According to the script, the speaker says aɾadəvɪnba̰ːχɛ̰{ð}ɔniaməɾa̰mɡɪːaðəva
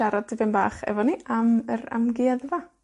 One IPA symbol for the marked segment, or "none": v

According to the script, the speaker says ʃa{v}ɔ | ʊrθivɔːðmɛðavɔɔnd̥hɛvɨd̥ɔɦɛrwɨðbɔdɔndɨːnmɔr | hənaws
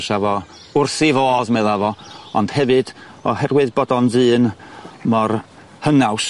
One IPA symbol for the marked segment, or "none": v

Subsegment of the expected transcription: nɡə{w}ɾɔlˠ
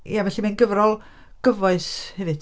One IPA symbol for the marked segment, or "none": v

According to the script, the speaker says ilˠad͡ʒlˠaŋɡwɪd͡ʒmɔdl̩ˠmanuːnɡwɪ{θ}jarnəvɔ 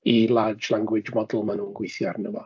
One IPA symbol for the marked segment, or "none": θ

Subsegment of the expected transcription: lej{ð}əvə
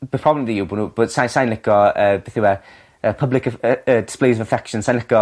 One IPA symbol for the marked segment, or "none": z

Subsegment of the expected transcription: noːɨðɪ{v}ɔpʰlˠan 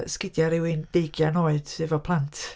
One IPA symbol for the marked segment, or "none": v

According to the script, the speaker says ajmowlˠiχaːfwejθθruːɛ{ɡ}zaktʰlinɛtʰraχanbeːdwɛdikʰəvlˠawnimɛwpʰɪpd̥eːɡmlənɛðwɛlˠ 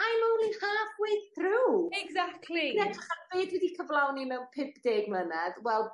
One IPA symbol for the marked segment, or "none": ɡ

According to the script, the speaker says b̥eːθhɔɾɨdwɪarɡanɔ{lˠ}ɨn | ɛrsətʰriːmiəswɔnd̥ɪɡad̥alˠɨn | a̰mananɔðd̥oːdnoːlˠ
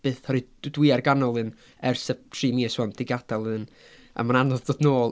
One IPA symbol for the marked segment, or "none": lˠ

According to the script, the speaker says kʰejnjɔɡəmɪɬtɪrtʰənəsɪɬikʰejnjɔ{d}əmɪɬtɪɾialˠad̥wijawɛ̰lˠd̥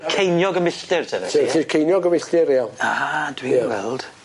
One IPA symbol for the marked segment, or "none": ɡ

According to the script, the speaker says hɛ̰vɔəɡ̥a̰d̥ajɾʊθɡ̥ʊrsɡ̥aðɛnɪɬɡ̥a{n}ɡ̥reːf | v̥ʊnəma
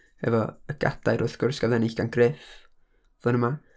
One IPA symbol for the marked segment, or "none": n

